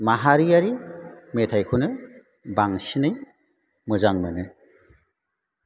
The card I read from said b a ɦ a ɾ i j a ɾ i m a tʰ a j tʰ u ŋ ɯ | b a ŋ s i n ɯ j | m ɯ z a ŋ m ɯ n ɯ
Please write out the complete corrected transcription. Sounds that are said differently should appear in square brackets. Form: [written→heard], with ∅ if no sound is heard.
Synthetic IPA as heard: [b→m] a ɦ a ɾ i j a ɾ i m [a→e] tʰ a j [tʰ→kʰ] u [ŋ→n] ɯ | b a ŋ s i n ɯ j | m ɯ z a ŋ m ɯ n ɯ